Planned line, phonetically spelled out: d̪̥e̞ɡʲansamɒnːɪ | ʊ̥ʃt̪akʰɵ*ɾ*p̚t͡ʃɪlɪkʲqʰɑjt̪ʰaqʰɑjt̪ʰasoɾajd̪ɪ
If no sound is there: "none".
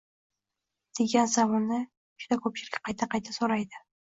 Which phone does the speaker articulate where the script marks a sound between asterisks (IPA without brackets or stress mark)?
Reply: none